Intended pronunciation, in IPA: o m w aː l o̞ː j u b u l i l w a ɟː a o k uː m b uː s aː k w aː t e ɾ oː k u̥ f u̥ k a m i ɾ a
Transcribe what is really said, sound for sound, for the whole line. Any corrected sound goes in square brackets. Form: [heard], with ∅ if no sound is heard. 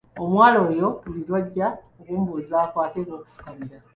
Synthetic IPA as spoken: o m w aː l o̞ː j [o] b u l i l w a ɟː a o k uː m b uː [z] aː k w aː t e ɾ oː k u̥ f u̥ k a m i ɾ a